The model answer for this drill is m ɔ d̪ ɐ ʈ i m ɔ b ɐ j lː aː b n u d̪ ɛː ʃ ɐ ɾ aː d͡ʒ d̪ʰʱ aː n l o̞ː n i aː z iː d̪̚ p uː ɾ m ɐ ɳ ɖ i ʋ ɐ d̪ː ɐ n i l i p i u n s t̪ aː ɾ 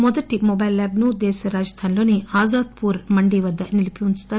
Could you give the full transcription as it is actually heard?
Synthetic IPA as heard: m ɔ d̪ ɐ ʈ i m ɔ b ɐ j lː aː b n u d̪ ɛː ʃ ɐ ɾ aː d͡ʒ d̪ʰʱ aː n l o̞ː n i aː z aː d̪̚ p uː ɾ m ɐ ɳ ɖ i ʋ ɐ d̪ː ɐ n i l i p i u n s t̪ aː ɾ